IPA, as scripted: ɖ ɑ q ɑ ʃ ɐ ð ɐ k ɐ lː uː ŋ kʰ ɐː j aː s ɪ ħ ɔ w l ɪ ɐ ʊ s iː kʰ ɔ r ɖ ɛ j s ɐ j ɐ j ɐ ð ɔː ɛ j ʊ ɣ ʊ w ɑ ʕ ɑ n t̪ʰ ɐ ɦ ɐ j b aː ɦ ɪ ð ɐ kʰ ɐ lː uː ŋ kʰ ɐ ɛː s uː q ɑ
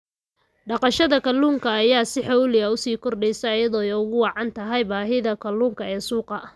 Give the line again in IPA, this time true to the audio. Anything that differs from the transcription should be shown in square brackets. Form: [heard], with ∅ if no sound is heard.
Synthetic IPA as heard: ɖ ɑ q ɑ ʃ ɐ ð ɐ k ɐ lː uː ŋ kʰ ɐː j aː s ɪ ħ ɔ w l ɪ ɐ ʊ s iː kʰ ɔ r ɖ ɛ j s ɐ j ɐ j ɐ ð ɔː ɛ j ʊ ɣ ʊ w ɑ ʕ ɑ n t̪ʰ ɐ ɦ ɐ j b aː ɦ ɪ ð ɐ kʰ ɐ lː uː ŋ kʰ ɐ ɛː s uː q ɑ